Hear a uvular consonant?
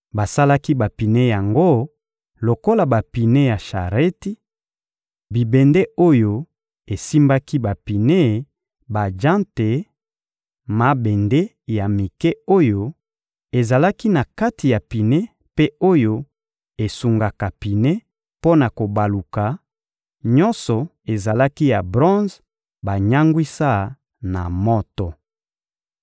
yes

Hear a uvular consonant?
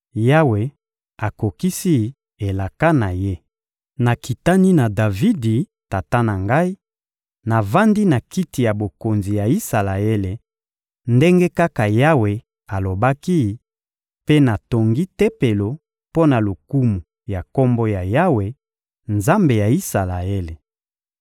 no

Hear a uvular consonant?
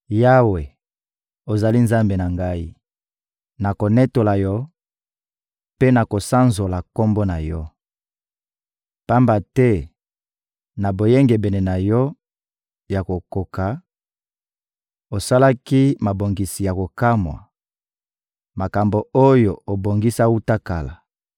no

